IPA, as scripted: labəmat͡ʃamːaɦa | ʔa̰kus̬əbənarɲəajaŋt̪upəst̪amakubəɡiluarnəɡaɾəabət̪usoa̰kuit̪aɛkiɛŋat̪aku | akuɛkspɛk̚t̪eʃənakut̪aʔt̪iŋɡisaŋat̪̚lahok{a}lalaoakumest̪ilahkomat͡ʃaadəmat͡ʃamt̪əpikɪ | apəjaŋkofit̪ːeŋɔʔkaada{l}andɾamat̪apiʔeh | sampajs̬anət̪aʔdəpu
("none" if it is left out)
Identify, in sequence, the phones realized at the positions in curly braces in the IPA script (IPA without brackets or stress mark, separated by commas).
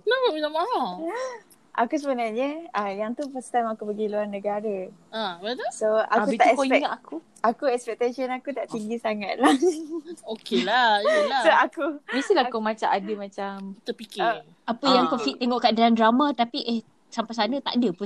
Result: e, l